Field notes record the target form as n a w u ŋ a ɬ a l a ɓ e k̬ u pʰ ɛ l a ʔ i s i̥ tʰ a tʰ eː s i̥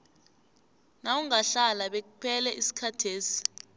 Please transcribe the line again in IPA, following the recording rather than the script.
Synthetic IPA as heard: n a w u ŋ a ɬ a l a ɓ e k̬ u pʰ ɛ l ɛ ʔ i s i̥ kʰ a tʰ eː s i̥